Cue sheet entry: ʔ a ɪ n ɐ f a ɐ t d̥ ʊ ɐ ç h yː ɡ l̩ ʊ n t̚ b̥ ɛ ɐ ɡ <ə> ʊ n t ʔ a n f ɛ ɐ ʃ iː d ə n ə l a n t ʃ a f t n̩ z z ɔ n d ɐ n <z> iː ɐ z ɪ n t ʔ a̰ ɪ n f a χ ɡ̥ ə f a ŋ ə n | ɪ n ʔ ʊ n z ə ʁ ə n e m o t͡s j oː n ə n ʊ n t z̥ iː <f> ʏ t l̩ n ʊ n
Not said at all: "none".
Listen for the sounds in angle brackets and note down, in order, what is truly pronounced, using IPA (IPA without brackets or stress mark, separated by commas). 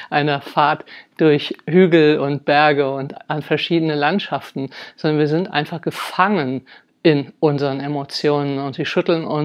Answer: ə, v, ʃ